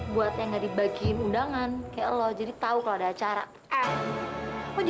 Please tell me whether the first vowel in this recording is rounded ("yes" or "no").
yes